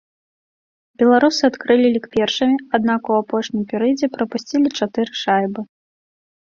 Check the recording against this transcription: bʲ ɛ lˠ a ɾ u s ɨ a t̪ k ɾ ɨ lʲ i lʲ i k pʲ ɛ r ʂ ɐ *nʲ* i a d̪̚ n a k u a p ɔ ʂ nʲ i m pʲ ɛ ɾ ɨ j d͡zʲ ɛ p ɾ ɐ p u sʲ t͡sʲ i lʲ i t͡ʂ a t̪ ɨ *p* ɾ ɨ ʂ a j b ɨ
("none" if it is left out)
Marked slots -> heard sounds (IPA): mʲ, none

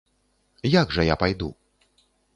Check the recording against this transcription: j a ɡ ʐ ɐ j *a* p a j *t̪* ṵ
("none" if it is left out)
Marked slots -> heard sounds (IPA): a, d̪

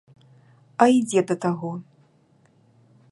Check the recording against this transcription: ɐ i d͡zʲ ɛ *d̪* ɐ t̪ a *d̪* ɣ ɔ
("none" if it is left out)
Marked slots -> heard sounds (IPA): d̪, none

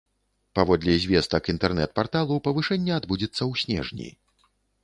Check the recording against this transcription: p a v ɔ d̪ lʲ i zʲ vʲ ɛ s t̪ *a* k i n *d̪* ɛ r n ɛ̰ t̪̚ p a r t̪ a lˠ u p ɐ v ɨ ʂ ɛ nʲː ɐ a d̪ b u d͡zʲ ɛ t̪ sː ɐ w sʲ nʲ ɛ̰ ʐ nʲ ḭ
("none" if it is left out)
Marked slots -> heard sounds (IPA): ɐ, t̪

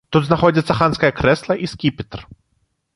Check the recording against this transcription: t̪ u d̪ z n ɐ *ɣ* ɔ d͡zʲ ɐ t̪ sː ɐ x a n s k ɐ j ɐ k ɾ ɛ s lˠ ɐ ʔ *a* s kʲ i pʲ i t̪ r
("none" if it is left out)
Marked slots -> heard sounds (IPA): x, i

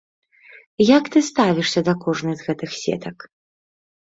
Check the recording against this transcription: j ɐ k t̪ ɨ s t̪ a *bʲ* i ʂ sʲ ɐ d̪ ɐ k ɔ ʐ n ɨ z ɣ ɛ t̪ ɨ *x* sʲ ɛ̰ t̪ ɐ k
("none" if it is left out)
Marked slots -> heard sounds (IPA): vʲ, x

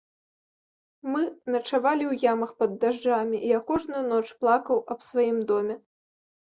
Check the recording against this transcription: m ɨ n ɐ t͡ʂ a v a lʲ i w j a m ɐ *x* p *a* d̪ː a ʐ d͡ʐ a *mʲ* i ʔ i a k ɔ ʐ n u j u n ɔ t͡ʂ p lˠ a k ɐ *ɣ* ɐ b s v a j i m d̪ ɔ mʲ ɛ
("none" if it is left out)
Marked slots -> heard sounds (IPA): x, ɐ, mʲ, w

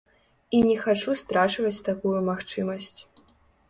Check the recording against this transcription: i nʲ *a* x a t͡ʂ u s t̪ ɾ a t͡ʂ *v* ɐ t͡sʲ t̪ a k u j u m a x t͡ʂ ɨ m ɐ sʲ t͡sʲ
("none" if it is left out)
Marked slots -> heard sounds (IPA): ɛ, v

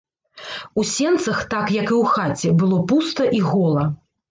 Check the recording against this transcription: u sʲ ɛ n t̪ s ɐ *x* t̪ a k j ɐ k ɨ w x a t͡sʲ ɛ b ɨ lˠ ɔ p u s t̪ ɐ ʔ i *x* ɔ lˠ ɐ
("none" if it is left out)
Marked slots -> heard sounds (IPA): x, ɣ

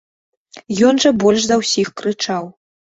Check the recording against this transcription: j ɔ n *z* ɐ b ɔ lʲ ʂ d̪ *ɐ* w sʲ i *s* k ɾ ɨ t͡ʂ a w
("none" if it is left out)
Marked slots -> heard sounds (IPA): ʐ, ɐ, x

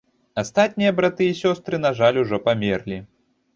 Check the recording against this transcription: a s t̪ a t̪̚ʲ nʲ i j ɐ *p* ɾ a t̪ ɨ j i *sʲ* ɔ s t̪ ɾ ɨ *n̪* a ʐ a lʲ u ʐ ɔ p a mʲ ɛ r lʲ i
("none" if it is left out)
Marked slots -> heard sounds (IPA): b, sʲ, n̪

